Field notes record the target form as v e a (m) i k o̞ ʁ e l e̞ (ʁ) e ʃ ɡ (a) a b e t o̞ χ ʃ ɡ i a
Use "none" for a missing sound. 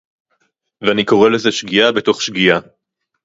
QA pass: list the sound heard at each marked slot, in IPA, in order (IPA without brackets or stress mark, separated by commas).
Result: n, z, i